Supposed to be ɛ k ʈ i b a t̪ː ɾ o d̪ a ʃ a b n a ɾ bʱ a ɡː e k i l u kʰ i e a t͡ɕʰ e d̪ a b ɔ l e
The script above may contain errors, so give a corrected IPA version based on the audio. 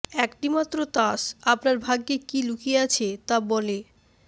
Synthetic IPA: ɛ k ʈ i m a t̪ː ɾ o t̪ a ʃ a p n a ɾ bʱ a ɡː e k i l u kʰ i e a t͡ɕʰ e t̪ a b ɔ l e